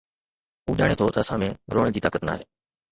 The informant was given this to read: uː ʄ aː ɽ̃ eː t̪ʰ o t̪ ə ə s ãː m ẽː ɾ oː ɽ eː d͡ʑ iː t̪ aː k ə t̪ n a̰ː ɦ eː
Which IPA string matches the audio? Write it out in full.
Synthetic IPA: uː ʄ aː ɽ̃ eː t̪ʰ o t̪ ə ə s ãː m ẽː ɾ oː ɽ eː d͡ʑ iː t̪ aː k ə t̪ n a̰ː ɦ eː